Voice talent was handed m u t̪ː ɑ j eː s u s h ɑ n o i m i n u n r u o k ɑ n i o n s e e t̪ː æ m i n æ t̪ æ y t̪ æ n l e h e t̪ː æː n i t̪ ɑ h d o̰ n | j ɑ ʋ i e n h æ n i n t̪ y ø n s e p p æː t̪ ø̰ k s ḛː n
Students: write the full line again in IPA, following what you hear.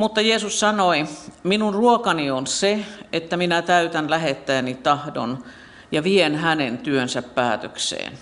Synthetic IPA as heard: m u t̪ː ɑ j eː s u s s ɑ n o i m i n u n r u o k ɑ n i o n s e e t̪ː æ m i n æ t̪ æ y t̪ æ n l æ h e t̪ː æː n i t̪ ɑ h d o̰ n | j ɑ ʋ i e n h æ n e n t̪ y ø n s æ p p æː t̪ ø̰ k s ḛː n